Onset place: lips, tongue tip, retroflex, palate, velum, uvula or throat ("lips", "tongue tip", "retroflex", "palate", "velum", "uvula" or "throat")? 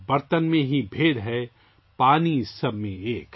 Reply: lips